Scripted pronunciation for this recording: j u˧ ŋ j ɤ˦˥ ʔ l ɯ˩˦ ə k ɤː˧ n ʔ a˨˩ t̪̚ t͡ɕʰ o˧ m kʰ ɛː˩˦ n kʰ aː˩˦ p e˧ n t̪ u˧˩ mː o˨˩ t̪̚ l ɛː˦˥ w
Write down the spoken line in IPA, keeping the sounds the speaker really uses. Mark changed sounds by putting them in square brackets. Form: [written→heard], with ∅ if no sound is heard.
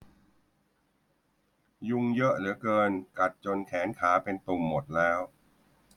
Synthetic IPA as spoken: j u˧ ŋ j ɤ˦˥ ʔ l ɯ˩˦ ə k ɤː˧ n [ʔ→k] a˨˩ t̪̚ [t͡ɕʰ→t͡ɕ] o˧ [m→n] kʰ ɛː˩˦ n kʰ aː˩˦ p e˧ n t̪ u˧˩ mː o˨˩ t̪̚ l ɛː˦˥ w